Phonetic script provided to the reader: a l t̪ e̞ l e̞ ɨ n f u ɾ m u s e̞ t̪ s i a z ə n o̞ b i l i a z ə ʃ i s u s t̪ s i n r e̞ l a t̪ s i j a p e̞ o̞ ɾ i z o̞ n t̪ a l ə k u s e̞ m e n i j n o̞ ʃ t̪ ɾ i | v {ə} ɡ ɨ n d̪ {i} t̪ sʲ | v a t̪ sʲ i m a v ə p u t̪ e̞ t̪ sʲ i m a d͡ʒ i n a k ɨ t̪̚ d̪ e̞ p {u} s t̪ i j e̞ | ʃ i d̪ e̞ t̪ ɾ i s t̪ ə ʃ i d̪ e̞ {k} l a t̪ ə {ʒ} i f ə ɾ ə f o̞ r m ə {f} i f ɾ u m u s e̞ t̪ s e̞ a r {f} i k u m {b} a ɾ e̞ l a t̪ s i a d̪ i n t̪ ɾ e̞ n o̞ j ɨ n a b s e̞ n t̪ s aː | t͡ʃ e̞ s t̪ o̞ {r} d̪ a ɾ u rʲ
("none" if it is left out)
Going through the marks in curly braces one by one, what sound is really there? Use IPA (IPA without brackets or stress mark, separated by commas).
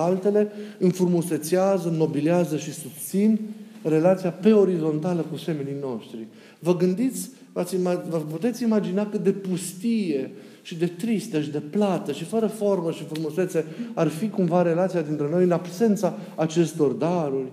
ə, i, u, p, ʃ, ʃ, f, v, r